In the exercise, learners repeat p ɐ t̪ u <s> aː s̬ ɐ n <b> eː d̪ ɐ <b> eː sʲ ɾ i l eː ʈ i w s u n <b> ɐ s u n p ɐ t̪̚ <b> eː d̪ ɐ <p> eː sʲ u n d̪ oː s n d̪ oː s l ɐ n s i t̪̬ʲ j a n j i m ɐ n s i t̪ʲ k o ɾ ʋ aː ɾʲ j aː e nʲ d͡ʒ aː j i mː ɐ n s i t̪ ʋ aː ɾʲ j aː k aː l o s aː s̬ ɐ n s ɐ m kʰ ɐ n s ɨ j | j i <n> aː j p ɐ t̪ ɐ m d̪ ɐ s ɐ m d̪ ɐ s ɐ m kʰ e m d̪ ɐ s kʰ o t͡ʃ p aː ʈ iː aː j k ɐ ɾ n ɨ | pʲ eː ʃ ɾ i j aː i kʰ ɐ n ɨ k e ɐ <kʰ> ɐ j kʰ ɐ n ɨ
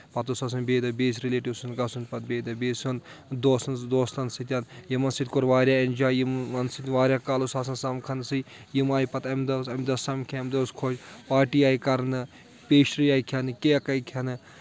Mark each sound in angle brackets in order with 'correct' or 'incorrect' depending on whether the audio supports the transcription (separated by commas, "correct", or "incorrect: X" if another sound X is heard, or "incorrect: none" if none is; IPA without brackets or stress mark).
correct, correct, correct, incorrect: ɡ, correct, incorrect: b, incorrect: m, incorrect: k